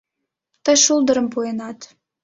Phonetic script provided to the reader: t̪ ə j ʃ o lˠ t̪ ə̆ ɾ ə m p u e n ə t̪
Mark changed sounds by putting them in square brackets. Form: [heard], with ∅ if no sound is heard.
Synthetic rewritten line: t̪ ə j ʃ [u] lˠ [d̪] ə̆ ɾ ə m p u e n [ɑ] t̪

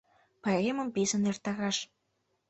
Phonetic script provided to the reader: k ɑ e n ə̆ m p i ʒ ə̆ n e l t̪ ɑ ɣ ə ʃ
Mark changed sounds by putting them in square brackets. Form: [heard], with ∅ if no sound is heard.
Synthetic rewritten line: [p] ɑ e [m] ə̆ m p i [z] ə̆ n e [r] t̪ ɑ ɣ [ɑ] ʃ

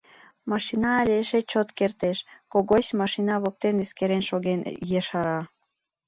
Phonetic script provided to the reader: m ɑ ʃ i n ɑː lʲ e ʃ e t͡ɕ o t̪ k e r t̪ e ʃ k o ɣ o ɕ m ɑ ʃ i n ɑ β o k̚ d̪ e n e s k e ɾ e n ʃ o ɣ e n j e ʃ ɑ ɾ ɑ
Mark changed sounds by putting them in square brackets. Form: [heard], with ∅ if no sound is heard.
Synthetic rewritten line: m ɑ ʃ i n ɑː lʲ e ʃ e t͡ɕ o t̪ k e r t̪ e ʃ k o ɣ o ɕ m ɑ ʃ i n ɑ β o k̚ [t̪] e n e s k e ɾ e n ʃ o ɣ e n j e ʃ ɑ ɾ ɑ

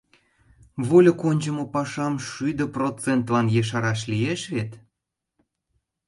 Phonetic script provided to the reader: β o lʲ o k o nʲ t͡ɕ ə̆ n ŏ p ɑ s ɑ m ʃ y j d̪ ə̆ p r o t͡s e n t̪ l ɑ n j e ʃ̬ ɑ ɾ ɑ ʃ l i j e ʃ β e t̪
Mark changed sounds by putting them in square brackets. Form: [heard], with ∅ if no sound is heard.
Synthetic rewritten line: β o lʲ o k o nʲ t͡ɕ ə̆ [m] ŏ p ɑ [ʃ] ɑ m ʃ y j d̪ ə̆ p r o t͡s e n t̪ l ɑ n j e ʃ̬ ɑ ɾ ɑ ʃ l i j e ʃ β e t̪

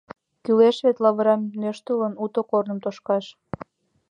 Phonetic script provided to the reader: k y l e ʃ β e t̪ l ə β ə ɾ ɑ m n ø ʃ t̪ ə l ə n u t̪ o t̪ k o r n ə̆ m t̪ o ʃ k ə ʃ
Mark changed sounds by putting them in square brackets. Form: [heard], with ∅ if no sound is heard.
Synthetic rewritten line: k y l e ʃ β e t̪ l [ɑ] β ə ɾ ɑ m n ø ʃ t̪ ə l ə n u t̪ o [∅] k o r n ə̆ m t̪ o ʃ k [ɑ] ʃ

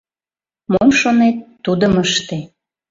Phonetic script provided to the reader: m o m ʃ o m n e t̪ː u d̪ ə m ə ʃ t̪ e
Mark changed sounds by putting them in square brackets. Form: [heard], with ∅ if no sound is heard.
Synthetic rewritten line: m o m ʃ o [∅] n e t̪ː u d̪ ə m ə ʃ t̪ e

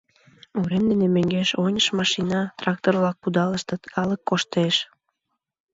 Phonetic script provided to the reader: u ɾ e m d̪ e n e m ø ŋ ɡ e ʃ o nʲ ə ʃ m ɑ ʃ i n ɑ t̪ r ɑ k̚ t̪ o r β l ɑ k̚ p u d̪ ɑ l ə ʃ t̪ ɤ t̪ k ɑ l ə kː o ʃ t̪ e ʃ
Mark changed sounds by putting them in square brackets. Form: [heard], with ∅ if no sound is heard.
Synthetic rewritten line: u ɾ e m d̪ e n e m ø ŋ ɡ e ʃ o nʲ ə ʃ m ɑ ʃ i n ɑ t̪ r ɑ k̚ t̪ o r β l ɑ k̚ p u d̪ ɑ l ə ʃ t̪ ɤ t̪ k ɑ l ə kː o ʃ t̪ e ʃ

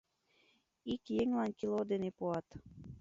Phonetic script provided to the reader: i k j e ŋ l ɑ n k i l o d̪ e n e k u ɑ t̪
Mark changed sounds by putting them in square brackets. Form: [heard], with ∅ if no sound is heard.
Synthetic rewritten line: i k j e ŋ l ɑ n k i l o d̪ e n e [p] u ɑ t̪

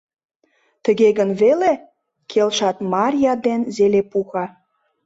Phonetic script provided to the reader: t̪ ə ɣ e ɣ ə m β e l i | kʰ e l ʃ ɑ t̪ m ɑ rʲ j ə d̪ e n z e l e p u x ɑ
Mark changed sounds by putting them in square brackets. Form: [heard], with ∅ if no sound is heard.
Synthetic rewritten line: t̪ ə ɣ e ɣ ə [n] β e l [e] | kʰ e l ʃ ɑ t̪ m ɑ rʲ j [ɑ] d̪ e n z e l e p u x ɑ

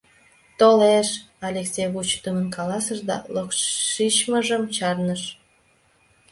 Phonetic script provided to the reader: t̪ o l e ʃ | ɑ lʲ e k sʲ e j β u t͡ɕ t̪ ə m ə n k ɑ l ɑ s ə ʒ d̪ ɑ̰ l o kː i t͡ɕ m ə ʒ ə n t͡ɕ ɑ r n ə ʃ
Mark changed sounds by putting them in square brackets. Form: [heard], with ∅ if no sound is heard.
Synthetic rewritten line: t̪ o l e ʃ | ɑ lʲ e k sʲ e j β u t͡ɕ t̪ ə m ə n k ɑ l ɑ s ə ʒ d̪ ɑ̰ l o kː i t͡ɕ m ə ʒ ə [m] t͡ɕ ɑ r n ə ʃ

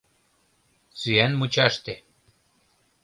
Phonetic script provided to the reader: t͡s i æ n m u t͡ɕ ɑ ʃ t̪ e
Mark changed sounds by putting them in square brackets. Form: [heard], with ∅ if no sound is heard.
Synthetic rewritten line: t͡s [y] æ n m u t͡ɕ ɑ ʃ t̪ e

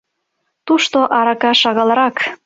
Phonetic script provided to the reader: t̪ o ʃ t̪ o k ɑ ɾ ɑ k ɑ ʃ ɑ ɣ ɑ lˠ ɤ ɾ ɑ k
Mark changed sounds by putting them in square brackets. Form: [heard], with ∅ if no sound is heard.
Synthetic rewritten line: t̪ [u] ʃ t̪ o [ʔ] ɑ ɾ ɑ k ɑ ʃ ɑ ɣ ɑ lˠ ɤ ɾ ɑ k

